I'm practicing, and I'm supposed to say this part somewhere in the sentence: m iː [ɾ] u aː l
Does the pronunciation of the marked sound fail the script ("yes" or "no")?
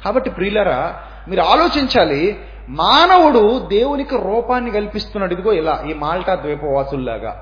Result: no